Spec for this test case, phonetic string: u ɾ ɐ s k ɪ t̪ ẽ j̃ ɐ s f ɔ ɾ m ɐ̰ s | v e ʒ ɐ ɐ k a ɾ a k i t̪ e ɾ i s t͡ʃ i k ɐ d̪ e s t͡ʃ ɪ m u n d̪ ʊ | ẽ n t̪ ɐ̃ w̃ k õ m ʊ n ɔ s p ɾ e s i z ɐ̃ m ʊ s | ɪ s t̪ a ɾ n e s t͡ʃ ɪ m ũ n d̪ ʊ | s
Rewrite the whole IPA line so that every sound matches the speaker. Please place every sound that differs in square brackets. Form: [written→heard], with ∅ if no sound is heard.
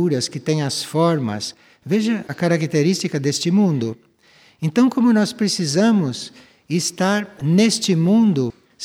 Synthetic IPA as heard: u ɾ ɐ s k ɪ t̪ ẽ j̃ ɐ s f ɔ ɾ m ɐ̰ s | v e ʒ ɐ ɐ k a ɾ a k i t̪ e ɾ i s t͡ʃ i k ɐ d̪ e s t͡ʃ ɪ m [u→ũ] n d̪ ʊ | ẽ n t̪ ɐ̃ w̃ k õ m ʊ n ɔ s p ɾ e s i z ɐ̃ m ʊ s | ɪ s t̪ a ɾ n e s t͡ʃ ɪ m ũ n d̪ ʊ | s